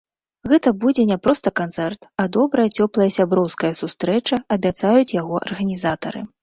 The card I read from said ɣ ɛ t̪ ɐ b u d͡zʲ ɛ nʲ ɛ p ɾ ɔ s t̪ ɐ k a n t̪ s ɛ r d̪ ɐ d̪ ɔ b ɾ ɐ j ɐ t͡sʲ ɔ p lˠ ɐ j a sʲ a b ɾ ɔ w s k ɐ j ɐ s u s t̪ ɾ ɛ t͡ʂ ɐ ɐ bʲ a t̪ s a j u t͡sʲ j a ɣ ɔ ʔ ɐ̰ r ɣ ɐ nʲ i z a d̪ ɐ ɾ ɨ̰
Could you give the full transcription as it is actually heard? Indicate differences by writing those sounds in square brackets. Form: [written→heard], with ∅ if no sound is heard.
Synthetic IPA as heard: ɣ ɛ t̪ ɐ b u d͡zʲ ɛ nʲ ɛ p ɾ ɔ s t̪ ɐ k a n t̪ s ɛ r [d̪→t̪] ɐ d̪ ɔ b ɾ ɐ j ɐ t͡sʲ ɔ p lˠ ɐ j [a→ɐ] sʲ a b ɾ ɔ w s k ɐ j ɐ s u s t̪ ɾ ɛ t͡ʂ ɐ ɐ bʲ a t̪ s a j u t͡sʲ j a ɣ ɔ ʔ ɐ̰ r ɣ ɐ nʲ i z a [d̪→t̪] ɐ ɾ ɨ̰